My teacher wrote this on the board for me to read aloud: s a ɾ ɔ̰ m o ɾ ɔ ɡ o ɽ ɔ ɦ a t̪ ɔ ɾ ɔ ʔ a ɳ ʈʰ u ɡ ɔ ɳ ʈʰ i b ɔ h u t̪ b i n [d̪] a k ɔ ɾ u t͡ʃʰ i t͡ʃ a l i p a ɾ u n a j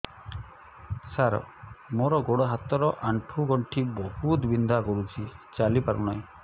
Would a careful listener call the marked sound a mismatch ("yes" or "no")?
no